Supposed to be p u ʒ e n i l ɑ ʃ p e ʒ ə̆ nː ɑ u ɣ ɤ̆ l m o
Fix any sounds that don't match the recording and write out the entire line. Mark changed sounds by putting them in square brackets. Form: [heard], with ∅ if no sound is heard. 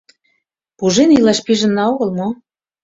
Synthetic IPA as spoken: p u ʒ e n i l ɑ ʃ p [i] ʒ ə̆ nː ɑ [o] ɣ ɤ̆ l m o